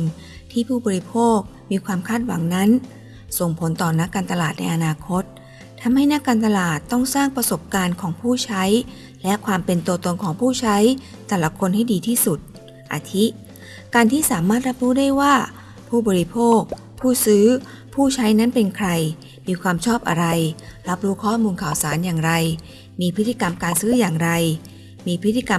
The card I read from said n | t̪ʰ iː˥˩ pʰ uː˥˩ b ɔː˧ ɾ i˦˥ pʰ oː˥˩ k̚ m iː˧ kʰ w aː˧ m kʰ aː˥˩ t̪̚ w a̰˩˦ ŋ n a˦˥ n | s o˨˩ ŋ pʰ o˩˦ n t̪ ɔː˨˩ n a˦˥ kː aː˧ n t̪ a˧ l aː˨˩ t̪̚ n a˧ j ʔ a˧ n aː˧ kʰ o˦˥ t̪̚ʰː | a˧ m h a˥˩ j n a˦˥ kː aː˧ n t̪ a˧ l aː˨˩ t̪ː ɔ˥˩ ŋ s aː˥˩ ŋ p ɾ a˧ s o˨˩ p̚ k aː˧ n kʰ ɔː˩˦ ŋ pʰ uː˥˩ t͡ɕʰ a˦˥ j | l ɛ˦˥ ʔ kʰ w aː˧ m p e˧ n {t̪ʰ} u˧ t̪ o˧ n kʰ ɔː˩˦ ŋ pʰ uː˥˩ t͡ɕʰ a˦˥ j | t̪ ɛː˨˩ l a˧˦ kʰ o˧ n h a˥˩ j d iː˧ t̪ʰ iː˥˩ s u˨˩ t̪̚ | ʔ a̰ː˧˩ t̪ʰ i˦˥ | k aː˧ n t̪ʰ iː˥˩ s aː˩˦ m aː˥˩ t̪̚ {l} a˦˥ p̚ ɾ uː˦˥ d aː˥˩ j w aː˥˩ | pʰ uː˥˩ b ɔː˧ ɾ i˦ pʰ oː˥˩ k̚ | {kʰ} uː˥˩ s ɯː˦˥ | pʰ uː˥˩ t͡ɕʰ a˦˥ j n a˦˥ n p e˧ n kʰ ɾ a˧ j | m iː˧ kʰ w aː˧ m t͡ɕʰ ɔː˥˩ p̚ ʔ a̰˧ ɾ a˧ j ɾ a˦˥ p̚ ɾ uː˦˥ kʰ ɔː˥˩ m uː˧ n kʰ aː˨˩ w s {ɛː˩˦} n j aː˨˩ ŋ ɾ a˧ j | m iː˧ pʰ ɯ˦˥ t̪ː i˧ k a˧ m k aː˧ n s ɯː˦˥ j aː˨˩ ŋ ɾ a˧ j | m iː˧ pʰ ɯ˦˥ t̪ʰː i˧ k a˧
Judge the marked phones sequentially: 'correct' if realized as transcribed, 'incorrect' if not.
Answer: incorrect: t̪, incorrect: ɾ, incorrect: pʰ, incorrect: aː˩˦

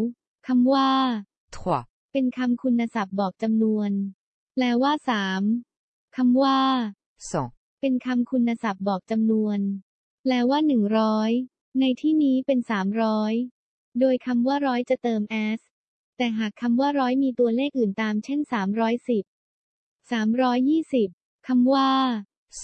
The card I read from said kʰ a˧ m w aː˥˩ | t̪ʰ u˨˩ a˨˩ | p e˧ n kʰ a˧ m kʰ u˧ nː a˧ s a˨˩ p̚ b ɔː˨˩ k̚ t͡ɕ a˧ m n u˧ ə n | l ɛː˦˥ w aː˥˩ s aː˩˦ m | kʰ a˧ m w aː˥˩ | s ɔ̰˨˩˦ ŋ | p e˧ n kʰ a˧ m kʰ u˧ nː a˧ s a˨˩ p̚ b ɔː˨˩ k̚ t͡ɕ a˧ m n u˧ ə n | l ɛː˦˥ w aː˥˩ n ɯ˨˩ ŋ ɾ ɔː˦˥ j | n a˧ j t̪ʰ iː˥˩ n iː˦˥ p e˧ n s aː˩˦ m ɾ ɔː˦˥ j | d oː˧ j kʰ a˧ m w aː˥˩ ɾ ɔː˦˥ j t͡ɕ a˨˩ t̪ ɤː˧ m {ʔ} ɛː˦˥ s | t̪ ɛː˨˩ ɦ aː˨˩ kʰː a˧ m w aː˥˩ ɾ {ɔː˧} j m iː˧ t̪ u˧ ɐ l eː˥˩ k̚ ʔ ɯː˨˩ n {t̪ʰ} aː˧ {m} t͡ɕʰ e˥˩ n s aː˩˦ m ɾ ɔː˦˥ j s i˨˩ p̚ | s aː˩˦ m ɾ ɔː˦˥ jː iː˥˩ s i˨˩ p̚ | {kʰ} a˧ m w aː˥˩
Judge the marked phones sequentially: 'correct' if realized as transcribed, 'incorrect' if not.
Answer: correct, incorrect: ɔː˦˥, incorrect: t̪, correct, correct

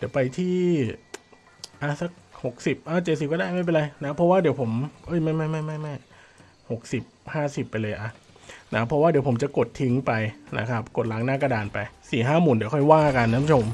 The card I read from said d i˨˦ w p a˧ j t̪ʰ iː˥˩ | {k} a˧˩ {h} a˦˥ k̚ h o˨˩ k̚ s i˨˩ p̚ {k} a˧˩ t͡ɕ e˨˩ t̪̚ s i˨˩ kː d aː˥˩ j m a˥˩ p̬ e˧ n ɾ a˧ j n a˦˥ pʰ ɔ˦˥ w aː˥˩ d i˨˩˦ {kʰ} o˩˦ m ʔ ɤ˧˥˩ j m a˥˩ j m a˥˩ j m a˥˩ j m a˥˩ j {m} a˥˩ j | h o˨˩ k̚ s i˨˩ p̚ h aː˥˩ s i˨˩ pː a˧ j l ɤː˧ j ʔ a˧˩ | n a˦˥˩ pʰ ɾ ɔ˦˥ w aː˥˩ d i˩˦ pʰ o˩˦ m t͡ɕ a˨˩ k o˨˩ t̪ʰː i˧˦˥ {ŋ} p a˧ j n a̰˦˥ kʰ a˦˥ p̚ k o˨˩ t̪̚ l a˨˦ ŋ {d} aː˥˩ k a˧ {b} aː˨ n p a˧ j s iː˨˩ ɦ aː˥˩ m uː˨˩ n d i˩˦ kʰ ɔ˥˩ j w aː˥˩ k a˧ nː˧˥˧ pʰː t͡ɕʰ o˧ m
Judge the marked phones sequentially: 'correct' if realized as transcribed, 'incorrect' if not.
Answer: incorrect: ʔ, incorrect: s, incorrect: ʔ, incorrect: pʰ, correct, correct, incorrect: n, incorrect: d

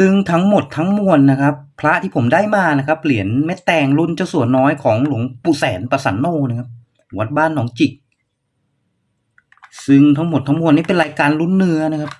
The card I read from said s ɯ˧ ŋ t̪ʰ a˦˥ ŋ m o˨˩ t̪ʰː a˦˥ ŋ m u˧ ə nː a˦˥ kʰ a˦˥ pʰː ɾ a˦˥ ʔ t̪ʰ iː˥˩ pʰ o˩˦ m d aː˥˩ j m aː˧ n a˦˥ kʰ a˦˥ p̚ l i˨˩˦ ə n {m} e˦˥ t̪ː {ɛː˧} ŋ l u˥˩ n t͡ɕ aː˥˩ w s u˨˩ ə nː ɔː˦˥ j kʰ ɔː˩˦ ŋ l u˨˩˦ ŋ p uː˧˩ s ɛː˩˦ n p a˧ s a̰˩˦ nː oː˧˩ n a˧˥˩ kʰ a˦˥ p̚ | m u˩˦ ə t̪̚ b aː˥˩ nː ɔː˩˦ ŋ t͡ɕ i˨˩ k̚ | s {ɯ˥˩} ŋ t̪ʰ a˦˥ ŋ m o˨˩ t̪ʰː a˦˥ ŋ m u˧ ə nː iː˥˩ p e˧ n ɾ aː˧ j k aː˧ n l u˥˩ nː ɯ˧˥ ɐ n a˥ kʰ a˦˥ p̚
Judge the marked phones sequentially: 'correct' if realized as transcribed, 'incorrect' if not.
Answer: correct, correct, incorrect: ɯ˧

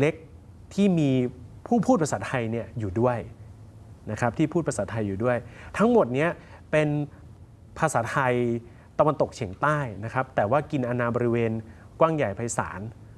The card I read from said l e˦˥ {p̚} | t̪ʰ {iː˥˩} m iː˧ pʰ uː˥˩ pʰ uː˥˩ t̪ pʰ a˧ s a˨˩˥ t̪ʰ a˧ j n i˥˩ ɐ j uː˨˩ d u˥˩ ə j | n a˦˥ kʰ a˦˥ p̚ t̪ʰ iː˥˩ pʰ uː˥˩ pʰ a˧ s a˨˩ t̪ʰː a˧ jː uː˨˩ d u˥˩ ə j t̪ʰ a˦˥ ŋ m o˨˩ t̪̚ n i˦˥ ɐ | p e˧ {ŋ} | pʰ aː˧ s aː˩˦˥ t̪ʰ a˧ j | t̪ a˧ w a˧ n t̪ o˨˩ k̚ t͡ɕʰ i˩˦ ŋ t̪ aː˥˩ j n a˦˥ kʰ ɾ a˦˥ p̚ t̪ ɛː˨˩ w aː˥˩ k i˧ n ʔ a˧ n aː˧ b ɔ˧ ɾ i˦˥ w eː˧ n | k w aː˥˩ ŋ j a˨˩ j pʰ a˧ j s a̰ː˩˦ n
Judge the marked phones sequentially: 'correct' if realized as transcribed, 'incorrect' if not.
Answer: incorrect: k̚, correct, incorrect: n

